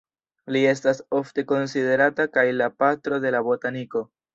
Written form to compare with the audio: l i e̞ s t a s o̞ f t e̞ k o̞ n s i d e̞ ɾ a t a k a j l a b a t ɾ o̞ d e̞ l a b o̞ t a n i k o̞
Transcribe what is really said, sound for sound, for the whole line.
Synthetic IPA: l i e̞ s t a s o̞ f t e̞ k o̞ n s i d e̞ ɾ a t a k a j l a p a t ɾ o̞ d e̞ l a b o̞ t a n i k o̞